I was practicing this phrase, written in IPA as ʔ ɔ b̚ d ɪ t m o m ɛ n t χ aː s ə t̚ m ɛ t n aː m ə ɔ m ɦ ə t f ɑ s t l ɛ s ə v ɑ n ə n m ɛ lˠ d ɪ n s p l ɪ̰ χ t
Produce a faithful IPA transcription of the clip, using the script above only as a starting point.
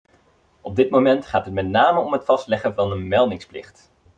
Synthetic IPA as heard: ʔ ɔ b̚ d ɪ t m o m ɛ n t χ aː t ə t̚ m ɛ t n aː m ə ɔ m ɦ ə t f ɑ s t l ɛ χ ə v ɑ n ə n m ɛ lˠ d ɪ ŋ s p l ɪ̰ χ t